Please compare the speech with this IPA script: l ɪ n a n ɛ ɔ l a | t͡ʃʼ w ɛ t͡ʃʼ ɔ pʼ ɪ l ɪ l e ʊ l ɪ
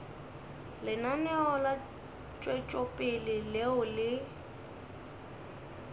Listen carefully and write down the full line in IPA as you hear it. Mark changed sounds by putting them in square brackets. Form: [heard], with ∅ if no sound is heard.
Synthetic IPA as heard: l ɪ n a n ɛ ɔ l a | t͡ʃʼ w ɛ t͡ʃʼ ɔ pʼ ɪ l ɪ l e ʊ l ɪ